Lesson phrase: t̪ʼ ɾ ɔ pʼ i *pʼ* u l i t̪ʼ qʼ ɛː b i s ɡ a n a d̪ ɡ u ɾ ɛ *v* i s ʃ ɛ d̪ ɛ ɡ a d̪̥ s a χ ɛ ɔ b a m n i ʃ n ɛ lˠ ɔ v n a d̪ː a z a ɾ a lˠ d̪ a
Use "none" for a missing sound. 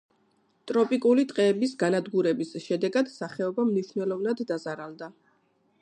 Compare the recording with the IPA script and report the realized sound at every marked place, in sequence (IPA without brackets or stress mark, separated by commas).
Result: kʼ, b